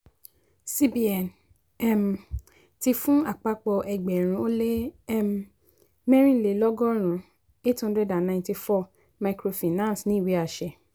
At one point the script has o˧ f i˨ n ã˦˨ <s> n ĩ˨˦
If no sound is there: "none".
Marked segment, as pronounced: s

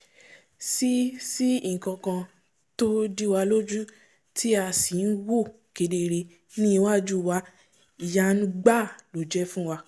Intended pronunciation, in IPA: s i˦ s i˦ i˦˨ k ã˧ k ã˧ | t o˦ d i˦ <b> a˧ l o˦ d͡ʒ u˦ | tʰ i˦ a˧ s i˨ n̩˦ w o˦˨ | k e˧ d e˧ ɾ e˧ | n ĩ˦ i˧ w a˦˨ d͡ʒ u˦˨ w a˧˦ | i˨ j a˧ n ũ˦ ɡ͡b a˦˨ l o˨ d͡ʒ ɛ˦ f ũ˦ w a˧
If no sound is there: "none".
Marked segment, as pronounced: w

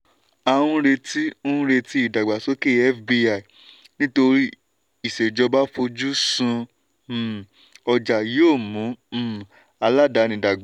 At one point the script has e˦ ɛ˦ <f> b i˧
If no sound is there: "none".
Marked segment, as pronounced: f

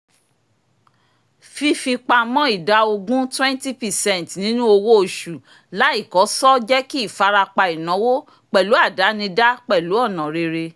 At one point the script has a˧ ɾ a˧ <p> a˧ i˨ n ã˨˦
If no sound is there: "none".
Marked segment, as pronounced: k͡p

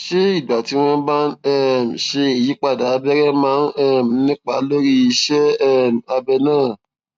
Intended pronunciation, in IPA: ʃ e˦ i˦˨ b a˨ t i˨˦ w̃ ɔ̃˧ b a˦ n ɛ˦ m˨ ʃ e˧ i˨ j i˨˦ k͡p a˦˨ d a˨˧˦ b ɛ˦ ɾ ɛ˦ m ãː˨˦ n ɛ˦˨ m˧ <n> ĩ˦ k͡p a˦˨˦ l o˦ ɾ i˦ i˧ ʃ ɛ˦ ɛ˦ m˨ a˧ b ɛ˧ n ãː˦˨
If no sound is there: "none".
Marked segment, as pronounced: n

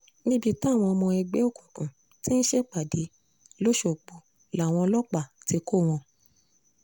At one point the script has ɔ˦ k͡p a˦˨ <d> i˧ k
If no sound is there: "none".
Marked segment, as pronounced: t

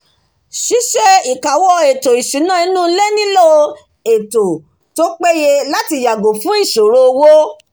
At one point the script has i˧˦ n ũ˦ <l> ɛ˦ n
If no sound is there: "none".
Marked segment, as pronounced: l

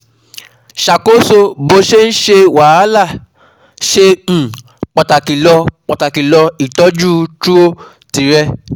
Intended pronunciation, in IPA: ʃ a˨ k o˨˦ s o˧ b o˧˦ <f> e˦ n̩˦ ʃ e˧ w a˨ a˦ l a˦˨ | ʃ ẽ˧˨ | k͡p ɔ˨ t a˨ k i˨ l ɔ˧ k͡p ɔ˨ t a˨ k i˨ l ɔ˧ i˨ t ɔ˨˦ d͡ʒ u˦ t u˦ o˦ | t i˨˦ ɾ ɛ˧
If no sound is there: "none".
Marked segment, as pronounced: ʃ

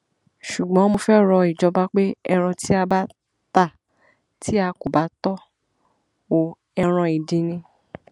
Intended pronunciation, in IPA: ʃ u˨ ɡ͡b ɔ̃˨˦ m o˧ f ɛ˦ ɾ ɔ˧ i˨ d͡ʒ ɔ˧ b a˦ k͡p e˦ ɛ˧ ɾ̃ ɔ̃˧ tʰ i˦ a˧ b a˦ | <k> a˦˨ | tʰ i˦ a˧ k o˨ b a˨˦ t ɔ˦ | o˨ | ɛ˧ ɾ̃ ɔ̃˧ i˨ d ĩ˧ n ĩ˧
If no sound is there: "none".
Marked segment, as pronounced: t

